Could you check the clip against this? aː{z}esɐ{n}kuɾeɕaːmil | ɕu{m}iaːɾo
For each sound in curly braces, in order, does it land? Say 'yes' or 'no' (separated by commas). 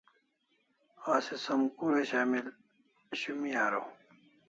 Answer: no, no, yes